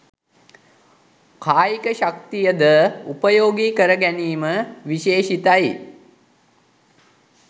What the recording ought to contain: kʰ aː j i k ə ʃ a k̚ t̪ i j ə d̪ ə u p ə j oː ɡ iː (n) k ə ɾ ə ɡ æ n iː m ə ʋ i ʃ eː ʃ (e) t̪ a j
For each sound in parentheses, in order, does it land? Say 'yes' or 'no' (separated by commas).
no, no